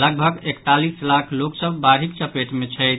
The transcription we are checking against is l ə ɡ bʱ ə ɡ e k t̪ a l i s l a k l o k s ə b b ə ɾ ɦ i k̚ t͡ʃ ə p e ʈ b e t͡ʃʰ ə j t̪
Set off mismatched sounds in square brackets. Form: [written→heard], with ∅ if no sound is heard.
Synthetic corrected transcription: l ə ɡ bʱ ə ɡ e k t̪ a l i s l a [k→kʰ] l o k s ə b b [ə→a] ɾ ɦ i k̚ t͡ʃ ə p e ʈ [b→m] e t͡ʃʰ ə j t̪